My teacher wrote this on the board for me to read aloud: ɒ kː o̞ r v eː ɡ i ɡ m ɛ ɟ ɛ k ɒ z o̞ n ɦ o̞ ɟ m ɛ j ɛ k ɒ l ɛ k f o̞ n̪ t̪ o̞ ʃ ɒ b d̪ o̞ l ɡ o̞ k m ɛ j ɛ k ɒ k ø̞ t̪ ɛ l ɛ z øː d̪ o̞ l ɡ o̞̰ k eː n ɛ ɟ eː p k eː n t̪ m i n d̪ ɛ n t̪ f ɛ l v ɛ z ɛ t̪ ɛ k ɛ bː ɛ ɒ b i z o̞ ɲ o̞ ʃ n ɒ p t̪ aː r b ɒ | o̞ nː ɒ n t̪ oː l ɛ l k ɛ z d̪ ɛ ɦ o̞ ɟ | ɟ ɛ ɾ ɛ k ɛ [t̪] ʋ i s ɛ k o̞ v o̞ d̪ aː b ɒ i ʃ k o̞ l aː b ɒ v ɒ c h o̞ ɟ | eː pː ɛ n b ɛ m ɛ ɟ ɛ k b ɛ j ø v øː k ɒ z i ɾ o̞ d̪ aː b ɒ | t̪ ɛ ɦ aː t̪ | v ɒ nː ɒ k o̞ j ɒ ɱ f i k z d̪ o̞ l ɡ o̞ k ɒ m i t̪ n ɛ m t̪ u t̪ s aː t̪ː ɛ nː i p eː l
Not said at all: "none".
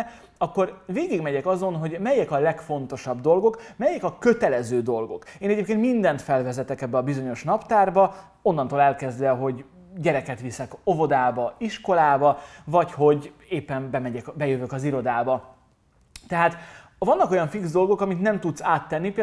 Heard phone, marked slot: t̪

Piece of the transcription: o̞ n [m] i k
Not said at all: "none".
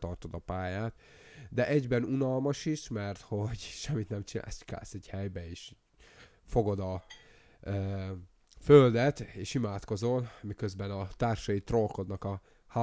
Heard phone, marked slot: m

